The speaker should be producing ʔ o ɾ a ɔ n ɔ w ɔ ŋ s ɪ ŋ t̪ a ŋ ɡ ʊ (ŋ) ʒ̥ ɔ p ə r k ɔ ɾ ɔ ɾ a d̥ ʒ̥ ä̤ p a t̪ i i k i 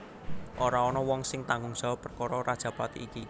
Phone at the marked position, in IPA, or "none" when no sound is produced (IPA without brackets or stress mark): ŋ